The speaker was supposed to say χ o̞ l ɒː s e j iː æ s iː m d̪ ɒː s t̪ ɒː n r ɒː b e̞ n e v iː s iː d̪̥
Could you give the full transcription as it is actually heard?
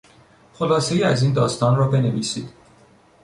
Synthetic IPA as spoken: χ o̞ l ɒː s e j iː æ z iː n d̪ ɒː s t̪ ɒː n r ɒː b e̞ n e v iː s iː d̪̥

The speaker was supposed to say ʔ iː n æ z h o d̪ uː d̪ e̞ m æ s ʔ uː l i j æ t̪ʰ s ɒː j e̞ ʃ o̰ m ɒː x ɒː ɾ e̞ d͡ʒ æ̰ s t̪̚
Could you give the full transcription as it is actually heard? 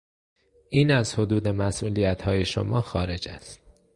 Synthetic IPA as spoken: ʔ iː n æ z h o d̪ uː d̪ e̞ m æ s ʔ uː l i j æ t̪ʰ h ɒː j e̞ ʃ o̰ m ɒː x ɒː ɾ e̞ d͡ʒ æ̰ s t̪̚

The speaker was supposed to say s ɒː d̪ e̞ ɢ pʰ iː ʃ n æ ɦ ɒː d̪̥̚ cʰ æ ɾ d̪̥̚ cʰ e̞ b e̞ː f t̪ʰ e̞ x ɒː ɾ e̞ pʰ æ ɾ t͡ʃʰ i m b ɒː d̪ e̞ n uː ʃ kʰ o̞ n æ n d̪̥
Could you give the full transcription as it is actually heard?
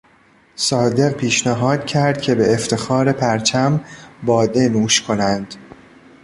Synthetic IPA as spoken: s ɒː d̪ e̞ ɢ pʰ iː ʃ n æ ɦ ɒː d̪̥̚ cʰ æ ɾ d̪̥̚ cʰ e̞ b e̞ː f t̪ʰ e̞ x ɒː ɾ e̞ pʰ æ ɾ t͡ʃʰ æ m b ɒː d̪ e̞ n uː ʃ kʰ o̞ n æ n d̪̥

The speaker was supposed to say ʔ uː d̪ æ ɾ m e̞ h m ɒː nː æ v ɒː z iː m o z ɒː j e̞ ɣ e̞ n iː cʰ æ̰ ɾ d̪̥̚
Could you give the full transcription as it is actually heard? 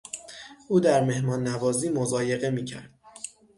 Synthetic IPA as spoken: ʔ uː d̪ æ ɾ m e̞ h m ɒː nː æ v ɒː z iː m o z ɒː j e̞ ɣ e̞ m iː cʰ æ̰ ɾ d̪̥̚

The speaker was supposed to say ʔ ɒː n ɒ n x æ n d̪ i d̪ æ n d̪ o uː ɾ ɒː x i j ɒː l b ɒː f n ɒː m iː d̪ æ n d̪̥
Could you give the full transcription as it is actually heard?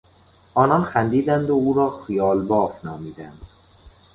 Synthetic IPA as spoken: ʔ ɒː n ɒ n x æ n d̪ iː d̪ æ n d̪ o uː ɾ ɒː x i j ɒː l b ɒː f n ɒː m iː d̪ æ n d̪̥

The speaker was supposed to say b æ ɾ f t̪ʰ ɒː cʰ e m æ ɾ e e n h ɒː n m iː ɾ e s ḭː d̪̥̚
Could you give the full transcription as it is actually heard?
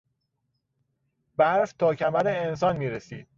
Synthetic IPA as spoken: b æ ɾ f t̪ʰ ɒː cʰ æ m æ ɾ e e n s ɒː n m iː ɾ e s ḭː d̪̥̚

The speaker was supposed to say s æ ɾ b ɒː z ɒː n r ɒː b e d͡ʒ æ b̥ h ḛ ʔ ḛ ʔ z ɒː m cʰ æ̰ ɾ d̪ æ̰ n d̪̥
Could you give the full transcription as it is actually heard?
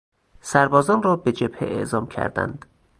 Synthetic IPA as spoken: s æ ɾ b ɒː z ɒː n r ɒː b e d͡ʒ e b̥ h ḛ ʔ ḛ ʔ z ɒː m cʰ æ̰ ɾ d̪ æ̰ n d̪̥

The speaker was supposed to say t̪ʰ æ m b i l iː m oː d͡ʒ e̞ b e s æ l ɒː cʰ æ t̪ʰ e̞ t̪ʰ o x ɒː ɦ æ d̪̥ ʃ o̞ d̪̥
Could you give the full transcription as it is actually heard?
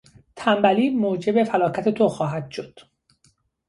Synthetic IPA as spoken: t̪ʰ æ m b æ l iː m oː d͡ʒ e̞ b e f æ l ɒː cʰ æ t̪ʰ e̞ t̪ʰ o x ɒː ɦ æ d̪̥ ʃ o̞ d̪̥

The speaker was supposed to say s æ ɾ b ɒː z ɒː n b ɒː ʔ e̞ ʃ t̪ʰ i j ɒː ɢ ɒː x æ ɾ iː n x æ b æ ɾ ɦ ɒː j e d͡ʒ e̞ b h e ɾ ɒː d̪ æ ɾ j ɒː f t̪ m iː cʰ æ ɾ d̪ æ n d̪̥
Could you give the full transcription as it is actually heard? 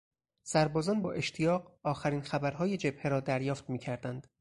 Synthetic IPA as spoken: s æ ɾ b ɒː z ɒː n b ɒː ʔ e̞ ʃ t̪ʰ i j ɒː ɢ ɒː x æ ɾ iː n x æ b æ ɾ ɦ ɒː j e d͡ʒ e̞ b h e ɾ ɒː d̪ æ ɾ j ɒː f t̪ m iː cʰ æ ɾ d̪ æ n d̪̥

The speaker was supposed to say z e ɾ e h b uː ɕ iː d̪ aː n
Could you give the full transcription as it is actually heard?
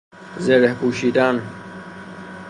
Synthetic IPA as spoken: z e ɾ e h p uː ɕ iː d̪ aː n

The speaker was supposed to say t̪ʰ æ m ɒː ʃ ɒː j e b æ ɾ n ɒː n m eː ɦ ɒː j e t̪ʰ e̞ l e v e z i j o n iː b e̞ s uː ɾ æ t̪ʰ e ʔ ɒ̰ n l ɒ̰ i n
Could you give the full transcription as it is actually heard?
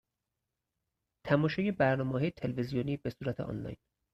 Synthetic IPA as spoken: t̪ʰ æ m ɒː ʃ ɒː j e b æ ɾ n ɒː m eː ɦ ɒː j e t̪ʰ e̞ l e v e z i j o n iː b e̞ s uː ɾ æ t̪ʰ e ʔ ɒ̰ n l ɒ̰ j n

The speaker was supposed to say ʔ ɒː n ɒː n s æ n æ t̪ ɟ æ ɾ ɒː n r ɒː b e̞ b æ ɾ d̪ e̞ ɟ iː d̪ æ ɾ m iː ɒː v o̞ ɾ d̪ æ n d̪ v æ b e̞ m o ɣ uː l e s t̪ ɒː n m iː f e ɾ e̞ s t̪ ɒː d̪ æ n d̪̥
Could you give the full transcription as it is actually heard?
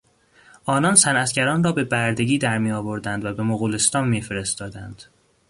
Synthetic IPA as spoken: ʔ ɒː n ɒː n s æ n æ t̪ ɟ æ ɾ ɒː n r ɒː b e̞ b æ ɾ d̪ e̞ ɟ iː d̪ æ ɾ m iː ɒː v o̞ ɾ d̪ æ n d̪ v æ b e̞ m o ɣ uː l e s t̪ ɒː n m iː f e ɾ e̞ s t̪ ɒː d̪ æ n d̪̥

